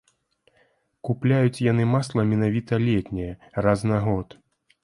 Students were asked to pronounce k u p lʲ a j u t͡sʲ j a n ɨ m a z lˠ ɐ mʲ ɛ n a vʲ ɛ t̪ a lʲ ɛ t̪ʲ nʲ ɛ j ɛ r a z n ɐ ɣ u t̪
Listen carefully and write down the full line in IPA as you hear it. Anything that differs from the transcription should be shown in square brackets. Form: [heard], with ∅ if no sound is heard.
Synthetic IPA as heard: k u p lʲ a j u t͡sʲ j a n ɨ m a [s] lˠ ɐ mʲ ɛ n a vʲ [i] t̪ [ɐ] lʲ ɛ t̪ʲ nʲ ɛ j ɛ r a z n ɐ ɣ [ɔ] t̪